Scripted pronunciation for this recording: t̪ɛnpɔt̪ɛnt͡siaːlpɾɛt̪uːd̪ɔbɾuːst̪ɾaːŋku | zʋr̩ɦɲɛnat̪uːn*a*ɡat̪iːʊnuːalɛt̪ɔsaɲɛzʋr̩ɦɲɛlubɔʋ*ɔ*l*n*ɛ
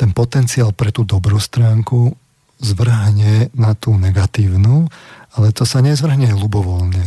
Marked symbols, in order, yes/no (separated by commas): no, yes, no